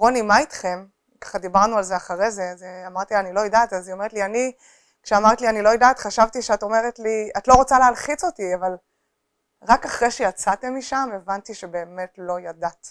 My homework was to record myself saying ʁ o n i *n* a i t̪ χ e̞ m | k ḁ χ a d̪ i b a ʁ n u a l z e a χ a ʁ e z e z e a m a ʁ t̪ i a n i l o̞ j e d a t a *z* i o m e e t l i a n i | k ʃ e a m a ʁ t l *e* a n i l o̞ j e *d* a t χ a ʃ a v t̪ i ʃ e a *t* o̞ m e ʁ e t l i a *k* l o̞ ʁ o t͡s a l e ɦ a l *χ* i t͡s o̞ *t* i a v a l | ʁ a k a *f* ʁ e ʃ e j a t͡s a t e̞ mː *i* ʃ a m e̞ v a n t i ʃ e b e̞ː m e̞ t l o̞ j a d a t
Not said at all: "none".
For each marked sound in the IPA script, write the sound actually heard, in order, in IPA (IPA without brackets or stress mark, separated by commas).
m, z, i, d, t, t, χ, t, χ, i